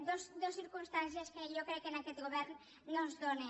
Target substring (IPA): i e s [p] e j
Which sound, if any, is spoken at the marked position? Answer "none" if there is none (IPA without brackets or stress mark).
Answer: k